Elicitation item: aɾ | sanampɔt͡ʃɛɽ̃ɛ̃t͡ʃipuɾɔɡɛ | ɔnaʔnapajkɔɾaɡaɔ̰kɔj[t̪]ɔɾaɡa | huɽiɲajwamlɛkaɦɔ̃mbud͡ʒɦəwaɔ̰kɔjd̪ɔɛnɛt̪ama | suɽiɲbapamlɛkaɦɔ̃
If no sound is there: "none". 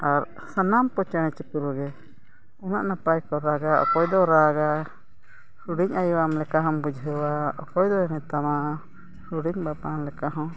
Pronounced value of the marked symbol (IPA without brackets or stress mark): d̪